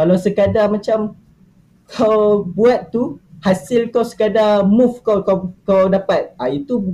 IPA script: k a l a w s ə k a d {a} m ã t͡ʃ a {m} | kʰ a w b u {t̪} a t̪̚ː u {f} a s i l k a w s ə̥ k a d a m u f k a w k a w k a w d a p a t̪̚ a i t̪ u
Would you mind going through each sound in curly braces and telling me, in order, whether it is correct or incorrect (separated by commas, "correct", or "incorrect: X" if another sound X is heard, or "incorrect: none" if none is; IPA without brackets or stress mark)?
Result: correct, correct, incorrect: none, incorrect: h